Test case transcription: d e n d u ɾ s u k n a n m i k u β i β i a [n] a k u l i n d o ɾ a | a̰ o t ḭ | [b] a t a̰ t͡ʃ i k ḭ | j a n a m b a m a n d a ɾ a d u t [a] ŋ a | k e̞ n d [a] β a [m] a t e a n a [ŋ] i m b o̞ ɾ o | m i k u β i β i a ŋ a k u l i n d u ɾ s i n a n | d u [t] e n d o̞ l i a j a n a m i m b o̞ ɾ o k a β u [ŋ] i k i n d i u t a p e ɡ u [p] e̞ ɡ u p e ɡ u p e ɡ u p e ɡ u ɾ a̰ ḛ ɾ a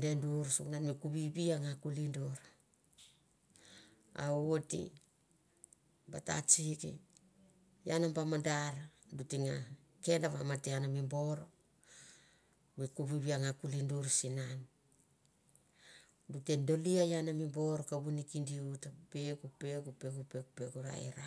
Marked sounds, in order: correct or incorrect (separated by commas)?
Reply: incorrect, correct, incorrect, correct, correct, incorrect, correct, incorrect, correct